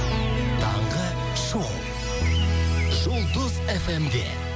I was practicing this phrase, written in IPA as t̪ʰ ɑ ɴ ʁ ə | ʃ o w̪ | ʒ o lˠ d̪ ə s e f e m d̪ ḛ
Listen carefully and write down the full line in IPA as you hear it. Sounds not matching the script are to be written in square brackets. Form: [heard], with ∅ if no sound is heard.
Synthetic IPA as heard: t̪ʰ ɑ ɴ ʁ ə | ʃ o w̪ | ʒ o lˠ d̪ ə [z] e f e m d̪ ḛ